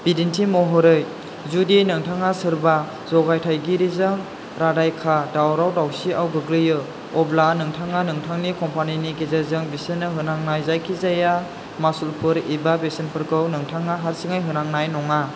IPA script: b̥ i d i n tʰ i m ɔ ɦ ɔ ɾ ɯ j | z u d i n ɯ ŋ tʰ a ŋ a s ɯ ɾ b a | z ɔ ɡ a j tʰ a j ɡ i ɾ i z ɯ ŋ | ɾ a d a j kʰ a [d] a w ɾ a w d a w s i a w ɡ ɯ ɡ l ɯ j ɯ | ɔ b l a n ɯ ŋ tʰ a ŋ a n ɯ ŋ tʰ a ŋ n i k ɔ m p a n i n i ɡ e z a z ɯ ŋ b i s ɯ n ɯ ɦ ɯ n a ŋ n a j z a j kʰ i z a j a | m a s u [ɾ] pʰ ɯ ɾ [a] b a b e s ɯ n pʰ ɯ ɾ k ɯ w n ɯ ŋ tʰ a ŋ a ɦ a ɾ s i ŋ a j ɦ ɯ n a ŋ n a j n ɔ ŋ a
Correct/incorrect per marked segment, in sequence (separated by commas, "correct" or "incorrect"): correct, incorrect, incorrect